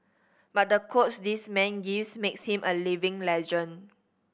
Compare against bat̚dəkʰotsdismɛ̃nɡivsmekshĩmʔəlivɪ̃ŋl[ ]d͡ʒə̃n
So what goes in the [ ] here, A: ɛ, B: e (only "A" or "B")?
A